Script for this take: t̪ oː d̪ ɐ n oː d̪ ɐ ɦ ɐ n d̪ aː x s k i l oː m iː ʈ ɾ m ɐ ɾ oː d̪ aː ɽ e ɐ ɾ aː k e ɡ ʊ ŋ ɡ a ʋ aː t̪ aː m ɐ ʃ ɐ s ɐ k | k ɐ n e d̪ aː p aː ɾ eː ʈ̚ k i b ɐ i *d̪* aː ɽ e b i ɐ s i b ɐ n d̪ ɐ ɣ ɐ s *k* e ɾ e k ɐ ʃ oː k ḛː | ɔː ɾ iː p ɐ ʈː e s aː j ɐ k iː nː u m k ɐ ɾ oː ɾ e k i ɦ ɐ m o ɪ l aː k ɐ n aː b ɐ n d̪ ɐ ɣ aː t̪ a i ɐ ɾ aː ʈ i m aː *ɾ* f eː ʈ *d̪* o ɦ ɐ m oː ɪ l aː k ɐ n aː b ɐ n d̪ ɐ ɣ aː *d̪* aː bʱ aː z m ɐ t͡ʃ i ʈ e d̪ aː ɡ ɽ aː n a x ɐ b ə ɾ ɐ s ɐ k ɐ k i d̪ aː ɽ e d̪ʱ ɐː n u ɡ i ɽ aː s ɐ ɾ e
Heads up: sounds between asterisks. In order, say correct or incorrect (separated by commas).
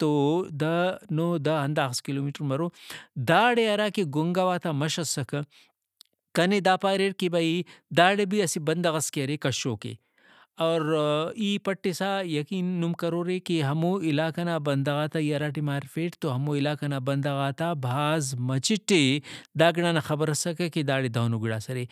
correct, correct, correct, incorrect, incorrect